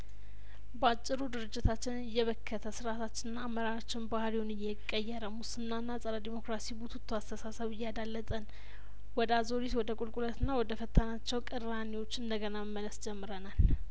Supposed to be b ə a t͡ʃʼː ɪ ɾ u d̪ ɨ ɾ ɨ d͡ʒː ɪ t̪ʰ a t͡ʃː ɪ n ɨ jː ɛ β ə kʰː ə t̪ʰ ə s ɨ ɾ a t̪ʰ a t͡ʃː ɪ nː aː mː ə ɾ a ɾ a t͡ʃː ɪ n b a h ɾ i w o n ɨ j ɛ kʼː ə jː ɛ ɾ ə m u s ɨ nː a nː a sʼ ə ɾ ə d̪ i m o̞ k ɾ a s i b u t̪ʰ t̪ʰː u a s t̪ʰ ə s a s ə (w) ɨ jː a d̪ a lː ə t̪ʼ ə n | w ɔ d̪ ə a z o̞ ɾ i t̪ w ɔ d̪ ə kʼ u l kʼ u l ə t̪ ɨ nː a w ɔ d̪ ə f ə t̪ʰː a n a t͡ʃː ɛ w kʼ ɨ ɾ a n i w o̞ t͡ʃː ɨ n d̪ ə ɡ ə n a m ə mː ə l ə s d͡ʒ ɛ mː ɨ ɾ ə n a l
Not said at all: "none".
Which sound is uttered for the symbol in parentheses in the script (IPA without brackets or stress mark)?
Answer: β